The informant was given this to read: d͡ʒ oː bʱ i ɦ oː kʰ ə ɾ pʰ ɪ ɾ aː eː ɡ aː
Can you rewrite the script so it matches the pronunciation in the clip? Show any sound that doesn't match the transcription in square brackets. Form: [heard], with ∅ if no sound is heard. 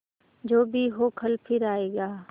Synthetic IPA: d͡ʒ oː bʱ i ɦ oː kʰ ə [l] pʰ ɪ ɾ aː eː ɡ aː